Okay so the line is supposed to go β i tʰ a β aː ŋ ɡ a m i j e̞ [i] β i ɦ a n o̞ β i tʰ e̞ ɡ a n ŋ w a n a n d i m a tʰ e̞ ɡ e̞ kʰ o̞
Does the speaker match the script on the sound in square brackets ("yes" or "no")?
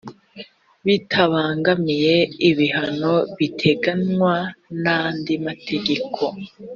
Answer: yes